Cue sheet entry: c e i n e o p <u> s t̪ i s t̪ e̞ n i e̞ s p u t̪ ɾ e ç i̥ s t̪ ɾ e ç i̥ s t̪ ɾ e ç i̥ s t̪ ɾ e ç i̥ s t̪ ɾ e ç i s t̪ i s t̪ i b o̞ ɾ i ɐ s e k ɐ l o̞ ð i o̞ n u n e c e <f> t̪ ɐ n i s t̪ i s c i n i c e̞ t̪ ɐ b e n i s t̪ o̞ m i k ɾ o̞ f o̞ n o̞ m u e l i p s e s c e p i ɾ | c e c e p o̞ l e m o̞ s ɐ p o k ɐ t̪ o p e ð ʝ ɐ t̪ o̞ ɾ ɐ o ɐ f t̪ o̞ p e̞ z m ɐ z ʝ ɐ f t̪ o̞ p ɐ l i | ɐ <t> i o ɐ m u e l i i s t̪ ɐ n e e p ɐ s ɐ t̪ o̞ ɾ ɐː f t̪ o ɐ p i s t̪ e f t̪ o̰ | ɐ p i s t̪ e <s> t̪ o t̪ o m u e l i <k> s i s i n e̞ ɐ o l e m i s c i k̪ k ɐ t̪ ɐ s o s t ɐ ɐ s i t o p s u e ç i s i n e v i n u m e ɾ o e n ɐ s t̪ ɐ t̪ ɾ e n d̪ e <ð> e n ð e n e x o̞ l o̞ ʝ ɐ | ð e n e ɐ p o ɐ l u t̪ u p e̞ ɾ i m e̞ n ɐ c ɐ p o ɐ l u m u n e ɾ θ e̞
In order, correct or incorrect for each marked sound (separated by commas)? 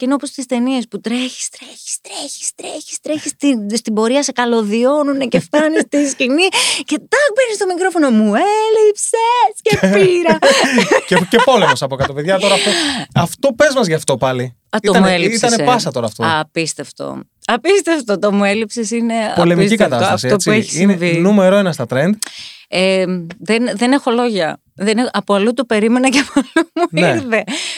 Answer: incorrect, correct, correct, incorrect, incorrect, correct